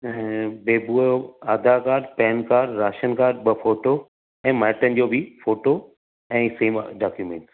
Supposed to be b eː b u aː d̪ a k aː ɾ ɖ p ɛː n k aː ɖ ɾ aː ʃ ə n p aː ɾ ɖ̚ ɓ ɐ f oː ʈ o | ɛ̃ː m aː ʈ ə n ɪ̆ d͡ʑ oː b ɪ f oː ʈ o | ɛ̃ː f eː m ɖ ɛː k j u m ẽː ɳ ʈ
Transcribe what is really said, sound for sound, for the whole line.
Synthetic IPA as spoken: b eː b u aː d̪ a k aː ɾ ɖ p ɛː n k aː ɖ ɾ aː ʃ ə n k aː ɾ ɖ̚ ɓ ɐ f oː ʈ o | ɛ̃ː m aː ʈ ə n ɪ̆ d͡ʑ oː b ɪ f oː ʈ o | ɛ̃ː s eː m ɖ aː k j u m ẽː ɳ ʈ